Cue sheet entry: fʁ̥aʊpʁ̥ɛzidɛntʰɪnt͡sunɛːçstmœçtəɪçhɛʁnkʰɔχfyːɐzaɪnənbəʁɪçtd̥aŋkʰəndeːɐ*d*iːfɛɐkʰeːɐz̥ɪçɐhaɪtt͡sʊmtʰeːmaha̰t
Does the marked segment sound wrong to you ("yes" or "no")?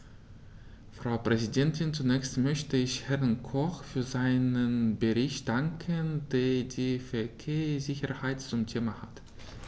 no